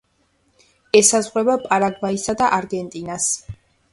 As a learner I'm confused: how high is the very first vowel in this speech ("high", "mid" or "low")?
mid